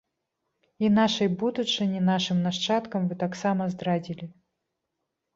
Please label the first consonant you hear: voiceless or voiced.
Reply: voiced